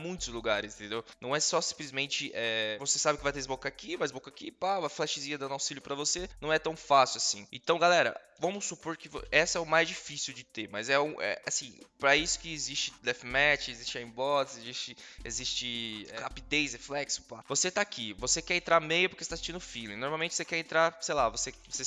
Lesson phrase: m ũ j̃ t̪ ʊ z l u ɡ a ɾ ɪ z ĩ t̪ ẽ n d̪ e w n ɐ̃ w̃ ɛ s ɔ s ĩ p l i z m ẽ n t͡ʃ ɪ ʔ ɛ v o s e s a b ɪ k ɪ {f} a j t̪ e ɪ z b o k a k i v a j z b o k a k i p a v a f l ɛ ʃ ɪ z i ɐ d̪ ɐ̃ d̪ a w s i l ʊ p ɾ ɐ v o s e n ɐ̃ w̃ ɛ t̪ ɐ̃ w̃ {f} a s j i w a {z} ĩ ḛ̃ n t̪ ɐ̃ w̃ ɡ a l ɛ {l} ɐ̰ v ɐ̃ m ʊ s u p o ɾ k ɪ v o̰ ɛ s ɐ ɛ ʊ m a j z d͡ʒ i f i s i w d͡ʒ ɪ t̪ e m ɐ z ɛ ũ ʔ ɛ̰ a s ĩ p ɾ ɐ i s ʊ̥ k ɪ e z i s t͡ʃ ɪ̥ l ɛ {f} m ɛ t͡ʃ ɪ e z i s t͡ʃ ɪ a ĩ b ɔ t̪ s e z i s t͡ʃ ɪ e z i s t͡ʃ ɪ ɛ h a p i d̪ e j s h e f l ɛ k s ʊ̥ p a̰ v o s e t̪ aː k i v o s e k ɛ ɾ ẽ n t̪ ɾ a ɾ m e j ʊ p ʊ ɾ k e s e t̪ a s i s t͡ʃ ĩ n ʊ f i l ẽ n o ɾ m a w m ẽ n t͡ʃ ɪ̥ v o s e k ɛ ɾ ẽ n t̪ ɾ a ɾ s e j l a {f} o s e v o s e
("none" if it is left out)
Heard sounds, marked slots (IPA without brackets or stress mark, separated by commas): v, f, s, ɾ, f, v